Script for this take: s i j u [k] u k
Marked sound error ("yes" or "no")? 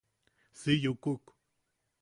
no